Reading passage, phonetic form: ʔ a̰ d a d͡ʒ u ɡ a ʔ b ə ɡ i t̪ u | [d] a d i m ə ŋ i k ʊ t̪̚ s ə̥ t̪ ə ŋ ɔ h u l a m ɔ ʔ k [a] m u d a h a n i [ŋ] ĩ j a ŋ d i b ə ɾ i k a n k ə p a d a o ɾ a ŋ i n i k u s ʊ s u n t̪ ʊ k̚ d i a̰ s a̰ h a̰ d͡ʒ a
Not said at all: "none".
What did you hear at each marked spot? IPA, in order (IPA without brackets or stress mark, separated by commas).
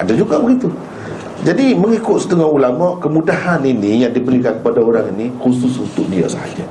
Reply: d͡ʒ, ə, n